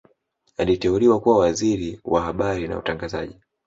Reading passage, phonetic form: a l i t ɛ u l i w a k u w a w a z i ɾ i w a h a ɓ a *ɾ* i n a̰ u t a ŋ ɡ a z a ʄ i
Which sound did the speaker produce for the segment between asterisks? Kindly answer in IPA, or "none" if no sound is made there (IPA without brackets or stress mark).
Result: ɾ